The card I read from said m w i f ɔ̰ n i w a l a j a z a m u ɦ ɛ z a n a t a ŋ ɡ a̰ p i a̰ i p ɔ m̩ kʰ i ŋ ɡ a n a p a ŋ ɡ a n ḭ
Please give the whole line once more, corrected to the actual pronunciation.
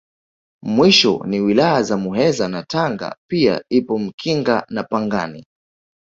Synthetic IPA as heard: m w i ʃ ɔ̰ n i w i l a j a z a m u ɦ ɛ z a n a t a ŋ ɡ a̰ p i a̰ i p ɔ m̩ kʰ i ŋ ɡ a n a p a ŋ ɡ a n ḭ